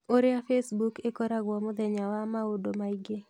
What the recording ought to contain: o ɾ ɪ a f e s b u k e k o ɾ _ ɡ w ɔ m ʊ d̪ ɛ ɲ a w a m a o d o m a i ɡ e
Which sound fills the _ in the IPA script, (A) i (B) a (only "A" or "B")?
B